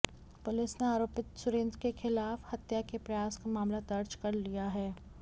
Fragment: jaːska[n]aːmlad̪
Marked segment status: incorrect: m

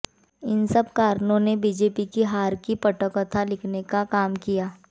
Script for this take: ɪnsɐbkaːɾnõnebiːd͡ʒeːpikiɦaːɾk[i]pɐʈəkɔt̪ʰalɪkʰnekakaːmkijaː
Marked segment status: correct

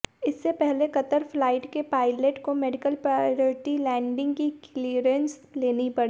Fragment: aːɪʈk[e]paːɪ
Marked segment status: correct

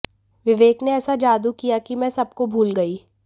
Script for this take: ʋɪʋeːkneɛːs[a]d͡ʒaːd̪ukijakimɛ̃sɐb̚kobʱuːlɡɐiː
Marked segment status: correct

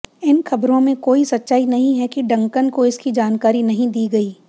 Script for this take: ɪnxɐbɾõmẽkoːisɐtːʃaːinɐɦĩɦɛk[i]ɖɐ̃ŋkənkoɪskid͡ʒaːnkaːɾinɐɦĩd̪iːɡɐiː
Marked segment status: correct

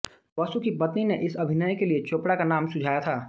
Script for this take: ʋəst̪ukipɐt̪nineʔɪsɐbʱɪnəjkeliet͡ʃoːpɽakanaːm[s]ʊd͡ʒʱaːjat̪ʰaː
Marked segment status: correct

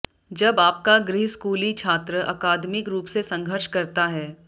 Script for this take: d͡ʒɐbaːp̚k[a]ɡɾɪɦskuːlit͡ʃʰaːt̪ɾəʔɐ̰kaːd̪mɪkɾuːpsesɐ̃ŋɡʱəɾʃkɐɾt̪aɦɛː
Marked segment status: correct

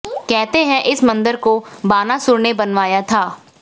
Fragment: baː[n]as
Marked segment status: correct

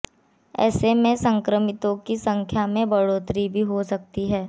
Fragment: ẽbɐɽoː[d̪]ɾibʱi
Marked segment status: incorrect: t̪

